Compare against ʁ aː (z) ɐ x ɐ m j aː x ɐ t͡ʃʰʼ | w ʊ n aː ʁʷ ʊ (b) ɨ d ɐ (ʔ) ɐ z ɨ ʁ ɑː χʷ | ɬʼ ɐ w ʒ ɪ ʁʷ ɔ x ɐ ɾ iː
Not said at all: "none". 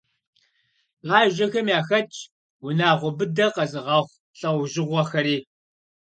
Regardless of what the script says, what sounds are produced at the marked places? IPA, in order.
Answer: ʒ, b, q

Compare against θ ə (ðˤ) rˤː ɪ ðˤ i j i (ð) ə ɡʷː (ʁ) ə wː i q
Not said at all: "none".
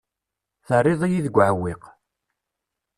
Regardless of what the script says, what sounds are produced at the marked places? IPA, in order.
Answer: none, ð, ʕ

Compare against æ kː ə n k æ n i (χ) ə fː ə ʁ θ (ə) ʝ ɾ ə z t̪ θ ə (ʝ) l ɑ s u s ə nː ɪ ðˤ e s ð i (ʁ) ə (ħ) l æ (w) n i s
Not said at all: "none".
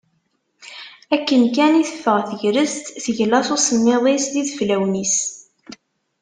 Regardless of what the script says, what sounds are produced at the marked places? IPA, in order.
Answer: θ, ə, ʝ, ð, f, w

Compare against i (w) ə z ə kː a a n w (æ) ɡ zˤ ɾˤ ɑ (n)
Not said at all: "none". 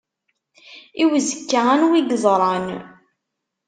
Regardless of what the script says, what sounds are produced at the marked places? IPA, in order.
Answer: w, i, n

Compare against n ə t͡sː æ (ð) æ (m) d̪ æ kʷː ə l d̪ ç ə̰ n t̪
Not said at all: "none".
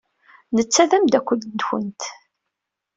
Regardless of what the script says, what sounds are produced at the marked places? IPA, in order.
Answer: ð, m

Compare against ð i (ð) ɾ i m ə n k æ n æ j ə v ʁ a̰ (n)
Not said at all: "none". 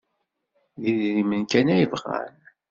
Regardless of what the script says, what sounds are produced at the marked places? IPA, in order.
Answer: ð, n

